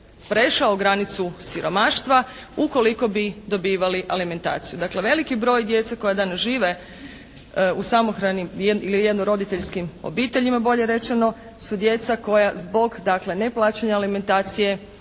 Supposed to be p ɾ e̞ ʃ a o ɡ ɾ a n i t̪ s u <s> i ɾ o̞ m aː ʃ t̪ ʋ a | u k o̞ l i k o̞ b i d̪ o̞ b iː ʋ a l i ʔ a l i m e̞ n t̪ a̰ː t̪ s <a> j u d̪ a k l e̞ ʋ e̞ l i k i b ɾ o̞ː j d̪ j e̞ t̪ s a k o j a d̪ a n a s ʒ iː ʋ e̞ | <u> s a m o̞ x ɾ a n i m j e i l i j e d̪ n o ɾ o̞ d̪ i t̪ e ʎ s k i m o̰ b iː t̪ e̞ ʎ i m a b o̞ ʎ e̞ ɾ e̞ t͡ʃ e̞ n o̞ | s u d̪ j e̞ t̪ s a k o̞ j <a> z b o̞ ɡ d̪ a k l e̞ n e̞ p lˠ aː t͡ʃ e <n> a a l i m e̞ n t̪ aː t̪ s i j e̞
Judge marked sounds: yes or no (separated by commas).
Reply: yes, no, yes, yes, no